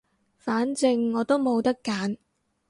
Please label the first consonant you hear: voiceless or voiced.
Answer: voiceless